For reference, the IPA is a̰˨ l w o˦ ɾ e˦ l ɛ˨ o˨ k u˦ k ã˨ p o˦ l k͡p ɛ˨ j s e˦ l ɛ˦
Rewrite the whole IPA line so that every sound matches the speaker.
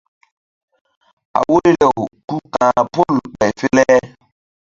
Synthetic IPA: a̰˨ w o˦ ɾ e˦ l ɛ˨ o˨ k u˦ k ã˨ p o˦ l k͡p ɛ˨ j f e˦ l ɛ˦